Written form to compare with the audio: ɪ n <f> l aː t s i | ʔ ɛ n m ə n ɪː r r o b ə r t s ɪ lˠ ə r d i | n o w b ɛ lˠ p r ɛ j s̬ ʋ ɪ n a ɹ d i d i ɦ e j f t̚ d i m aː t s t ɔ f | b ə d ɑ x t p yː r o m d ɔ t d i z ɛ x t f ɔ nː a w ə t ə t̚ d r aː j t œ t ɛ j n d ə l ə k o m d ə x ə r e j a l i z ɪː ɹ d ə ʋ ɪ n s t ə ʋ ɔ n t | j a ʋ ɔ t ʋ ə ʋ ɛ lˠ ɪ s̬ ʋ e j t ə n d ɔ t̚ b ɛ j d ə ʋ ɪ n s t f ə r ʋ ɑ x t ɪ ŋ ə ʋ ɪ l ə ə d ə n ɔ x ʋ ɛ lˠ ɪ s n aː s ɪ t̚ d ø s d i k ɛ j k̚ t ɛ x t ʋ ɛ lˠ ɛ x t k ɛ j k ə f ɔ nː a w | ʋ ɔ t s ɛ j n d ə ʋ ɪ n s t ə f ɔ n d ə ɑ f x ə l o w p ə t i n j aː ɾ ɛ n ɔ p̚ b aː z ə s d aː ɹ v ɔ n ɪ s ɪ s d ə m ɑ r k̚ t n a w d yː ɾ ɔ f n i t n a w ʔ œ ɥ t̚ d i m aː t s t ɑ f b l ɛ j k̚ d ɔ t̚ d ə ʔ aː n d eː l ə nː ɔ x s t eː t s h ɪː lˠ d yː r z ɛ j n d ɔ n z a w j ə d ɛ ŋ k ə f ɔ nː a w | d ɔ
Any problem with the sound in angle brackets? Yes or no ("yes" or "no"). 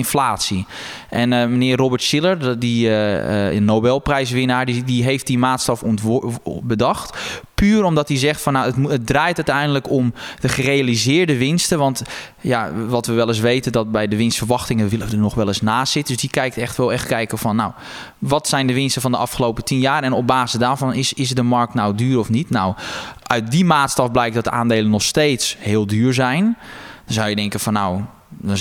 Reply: no